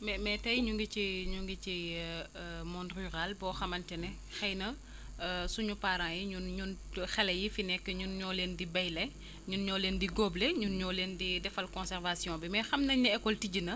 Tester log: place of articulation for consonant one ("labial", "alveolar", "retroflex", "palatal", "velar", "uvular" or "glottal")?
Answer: labial